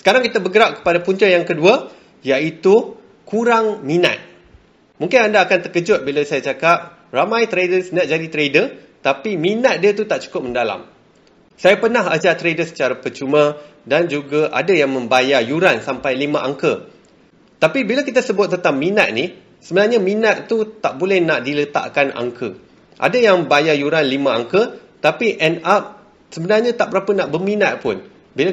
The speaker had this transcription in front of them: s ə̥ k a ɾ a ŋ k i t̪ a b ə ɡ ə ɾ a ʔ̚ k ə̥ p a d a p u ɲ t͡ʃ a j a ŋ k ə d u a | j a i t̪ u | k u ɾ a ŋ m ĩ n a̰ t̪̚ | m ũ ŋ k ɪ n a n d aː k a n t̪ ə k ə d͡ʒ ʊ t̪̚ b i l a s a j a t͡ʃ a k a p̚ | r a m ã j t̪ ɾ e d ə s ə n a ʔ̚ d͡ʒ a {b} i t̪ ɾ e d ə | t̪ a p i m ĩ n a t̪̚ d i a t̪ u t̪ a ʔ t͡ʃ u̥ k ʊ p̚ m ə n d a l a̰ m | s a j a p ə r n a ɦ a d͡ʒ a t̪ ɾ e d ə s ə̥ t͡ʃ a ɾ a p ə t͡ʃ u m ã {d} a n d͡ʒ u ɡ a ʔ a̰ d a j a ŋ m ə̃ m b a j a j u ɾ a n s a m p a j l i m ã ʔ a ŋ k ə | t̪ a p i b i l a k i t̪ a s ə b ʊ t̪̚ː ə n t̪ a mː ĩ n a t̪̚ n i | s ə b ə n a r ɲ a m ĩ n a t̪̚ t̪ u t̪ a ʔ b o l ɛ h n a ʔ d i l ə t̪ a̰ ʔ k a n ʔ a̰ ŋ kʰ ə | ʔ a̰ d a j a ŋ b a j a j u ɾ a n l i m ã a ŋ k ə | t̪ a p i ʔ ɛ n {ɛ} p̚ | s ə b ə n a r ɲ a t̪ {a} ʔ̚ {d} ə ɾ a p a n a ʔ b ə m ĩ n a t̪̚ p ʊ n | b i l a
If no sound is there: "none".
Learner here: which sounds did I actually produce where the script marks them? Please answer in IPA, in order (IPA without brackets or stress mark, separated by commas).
d, d, a, a, b